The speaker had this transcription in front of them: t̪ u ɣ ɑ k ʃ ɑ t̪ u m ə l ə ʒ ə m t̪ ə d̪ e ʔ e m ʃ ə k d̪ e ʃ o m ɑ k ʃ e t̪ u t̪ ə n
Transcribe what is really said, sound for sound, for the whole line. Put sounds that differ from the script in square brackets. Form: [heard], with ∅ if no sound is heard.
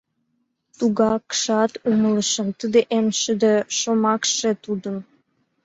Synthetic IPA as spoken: t̪ u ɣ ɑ k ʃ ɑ t̪ u m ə l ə [ʃ] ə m t̪ ə d̪ e ʔ e m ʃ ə [∅] d̪ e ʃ o m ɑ k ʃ e t̪ u [d̪] ə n